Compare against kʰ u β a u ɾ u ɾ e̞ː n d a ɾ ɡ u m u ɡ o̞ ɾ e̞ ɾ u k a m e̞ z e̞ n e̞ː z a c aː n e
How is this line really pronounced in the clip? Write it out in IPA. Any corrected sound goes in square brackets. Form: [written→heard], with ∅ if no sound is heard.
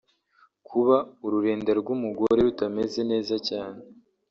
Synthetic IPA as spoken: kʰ u β a u ɾ u ɾ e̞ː n d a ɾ ɡ u m u ɡ o̞ ɾ e̞ ɾ u [k→t] a m e̞ z e̞ n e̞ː z a c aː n e